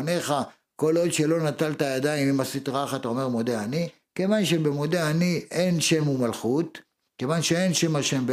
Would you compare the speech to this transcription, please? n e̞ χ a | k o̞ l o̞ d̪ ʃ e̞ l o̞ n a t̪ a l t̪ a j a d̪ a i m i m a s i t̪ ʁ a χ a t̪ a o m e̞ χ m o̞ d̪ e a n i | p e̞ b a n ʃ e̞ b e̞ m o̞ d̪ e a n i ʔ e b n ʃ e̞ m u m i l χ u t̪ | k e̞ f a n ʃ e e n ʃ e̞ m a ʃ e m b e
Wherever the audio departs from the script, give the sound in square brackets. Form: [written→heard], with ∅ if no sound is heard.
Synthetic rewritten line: n e̞ χ a | k o̞ l o̞ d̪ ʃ e̞ l o̞ n a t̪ a l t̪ a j a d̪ a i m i m a s i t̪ ʁ a χ a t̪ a o m e̞ [χ→ʁ] m o̞ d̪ e a n i | [p→k] e̞ [b→v] a n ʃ e̞ b e̞ m o̞ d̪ e a n i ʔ e [b→∅] n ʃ e̞ m u m [i→a] l χ u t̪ | k e̞ [f→v] a n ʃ e e n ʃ e̞ m a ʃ e m b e